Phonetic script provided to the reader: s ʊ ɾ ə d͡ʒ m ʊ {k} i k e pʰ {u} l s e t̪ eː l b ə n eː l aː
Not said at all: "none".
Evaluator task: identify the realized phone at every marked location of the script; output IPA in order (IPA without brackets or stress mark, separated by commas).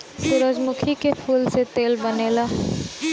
kʰ, uː